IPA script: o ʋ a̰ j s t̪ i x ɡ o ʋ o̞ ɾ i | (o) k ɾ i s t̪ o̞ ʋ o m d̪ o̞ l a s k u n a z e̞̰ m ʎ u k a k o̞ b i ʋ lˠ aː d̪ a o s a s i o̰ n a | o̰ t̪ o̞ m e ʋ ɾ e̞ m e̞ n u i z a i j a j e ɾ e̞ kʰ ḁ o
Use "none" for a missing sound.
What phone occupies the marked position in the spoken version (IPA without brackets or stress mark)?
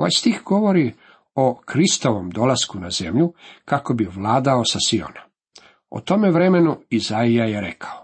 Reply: o